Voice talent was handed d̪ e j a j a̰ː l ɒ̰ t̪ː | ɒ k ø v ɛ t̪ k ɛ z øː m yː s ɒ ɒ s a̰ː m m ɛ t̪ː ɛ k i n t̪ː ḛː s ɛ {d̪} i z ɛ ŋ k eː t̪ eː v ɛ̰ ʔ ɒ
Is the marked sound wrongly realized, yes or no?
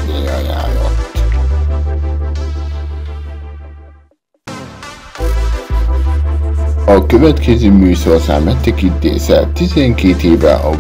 yes